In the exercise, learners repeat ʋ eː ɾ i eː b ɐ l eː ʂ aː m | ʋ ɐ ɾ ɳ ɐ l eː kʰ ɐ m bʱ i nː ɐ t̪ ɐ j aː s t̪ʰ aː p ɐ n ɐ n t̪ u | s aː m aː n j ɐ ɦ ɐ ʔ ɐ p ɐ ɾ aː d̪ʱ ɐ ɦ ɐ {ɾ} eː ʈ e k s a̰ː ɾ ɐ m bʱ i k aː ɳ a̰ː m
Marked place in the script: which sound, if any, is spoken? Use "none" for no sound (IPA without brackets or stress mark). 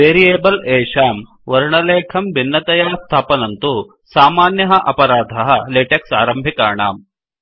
l